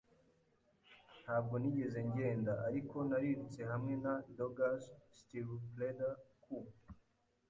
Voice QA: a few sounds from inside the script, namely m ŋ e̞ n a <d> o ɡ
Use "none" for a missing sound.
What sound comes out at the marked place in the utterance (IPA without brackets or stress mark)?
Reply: d